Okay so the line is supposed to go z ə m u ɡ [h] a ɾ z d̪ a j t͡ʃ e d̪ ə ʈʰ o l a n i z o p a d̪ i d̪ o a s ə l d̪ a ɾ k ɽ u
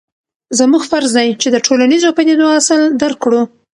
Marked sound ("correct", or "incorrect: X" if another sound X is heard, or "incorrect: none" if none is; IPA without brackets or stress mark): incorrect: f